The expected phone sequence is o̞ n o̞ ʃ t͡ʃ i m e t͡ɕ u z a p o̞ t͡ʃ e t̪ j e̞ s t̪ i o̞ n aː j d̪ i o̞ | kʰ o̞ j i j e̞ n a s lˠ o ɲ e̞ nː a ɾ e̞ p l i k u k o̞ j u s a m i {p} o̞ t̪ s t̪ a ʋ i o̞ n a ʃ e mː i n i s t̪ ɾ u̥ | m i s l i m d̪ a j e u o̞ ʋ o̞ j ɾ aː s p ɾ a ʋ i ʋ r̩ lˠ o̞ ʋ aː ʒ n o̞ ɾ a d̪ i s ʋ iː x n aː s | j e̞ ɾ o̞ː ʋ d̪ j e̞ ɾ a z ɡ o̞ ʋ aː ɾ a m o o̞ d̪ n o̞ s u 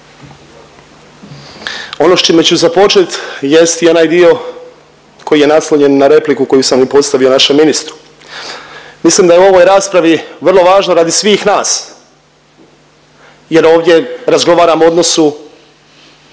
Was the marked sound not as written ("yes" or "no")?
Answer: no